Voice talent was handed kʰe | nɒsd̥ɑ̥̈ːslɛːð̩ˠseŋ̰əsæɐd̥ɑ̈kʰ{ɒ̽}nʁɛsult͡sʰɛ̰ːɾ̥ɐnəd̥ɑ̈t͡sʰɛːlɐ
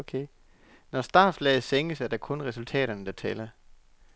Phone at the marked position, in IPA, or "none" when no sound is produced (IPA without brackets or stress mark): ɔ̽